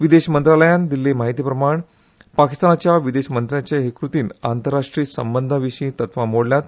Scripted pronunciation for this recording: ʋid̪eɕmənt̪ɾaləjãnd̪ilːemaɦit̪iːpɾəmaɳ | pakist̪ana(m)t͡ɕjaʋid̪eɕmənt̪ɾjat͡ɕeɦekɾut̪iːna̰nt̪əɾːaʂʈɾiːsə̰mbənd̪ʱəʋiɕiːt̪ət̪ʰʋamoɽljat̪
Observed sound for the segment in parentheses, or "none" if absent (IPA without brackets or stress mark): none